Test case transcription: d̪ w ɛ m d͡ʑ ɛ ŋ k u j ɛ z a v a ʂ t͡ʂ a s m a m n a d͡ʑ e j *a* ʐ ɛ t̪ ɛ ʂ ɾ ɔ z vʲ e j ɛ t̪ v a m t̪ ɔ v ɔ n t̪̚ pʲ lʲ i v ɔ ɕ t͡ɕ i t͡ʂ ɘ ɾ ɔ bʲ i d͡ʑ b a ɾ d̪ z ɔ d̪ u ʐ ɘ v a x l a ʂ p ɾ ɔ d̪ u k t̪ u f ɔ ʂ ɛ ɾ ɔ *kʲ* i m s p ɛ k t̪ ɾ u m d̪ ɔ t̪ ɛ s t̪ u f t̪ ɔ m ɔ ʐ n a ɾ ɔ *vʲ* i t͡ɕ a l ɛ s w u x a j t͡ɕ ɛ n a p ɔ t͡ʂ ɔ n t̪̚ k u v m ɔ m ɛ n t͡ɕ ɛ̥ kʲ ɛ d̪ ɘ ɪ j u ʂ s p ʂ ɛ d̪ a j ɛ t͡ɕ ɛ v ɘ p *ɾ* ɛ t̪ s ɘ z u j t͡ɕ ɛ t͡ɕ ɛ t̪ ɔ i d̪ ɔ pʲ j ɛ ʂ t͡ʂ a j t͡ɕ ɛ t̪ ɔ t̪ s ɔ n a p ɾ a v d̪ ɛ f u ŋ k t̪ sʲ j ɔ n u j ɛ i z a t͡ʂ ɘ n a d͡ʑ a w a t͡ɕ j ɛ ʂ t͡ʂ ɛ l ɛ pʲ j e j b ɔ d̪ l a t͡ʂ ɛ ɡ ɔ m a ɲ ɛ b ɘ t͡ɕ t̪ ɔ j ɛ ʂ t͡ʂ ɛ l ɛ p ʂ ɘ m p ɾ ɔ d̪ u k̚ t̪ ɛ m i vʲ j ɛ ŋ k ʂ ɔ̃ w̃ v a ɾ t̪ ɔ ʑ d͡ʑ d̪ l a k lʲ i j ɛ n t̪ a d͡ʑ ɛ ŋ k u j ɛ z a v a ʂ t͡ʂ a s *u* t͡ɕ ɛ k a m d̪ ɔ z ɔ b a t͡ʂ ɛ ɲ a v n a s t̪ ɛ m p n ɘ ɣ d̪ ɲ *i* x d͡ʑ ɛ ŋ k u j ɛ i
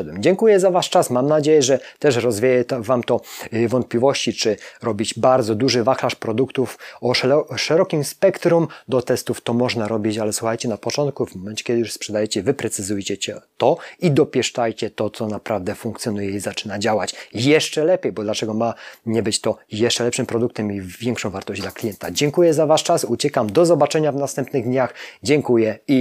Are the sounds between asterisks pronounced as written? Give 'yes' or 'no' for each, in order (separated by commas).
no, yes, no, yes, yes, no